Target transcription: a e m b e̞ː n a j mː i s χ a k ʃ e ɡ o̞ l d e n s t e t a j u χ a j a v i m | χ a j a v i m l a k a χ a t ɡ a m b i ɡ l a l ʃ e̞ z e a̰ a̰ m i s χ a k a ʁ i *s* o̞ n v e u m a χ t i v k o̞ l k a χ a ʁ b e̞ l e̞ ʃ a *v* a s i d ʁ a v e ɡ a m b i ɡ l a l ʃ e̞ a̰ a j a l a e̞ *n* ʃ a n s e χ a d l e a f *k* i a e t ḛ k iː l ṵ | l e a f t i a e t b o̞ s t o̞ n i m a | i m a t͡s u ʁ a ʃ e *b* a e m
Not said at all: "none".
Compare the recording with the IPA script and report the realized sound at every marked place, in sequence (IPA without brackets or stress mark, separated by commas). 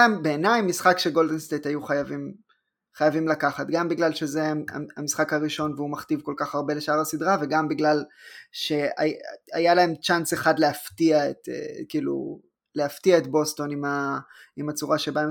ʃ, ʁ, m, t, b